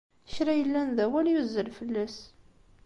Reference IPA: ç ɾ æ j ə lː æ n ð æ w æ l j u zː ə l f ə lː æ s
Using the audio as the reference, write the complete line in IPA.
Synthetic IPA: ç ɾ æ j ə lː æ n ð æ w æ l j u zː ə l f ə lː æ s